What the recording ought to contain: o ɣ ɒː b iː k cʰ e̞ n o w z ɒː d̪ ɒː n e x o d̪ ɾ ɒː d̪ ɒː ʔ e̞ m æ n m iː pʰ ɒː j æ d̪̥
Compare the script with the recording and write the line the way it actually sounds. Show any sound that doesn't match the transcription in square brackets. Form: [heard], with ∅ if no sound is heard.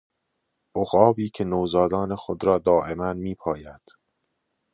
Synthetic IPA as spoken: o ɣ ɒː b iː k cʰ e̞ n o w z ɒː d̪ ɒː n e x o d̪ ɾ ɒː d̪ ɒː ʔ e̞ m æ n m iː pʰ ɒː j æ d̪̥